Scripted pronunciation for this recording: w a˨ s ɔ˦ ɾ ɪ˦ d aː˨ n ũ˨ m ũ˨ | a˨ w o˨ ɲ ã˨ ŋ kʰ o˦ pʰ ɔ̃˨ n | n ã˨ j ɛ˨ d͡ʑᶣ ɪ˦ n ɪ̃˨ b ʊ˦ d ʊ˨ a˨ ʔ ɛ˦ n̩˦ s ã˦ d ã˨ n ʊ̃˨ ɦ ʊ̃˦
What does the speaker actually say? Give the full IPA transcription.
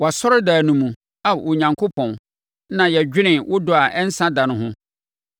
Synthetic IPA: w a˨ s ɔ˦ ɾ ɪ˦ d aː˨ n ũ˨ m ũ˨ | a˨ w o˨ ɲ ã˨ ŋ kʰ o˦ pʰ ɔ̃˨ n | n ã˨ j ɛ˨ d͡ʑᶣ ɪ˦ n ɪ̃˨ w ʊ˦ d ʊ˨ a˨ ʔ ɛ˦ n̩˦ s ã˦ d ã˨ n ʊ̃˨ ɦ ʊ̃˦